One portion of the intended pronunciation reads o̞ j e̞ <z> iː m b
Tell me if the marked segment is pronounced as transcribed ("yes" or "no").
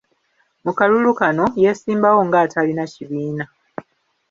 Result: no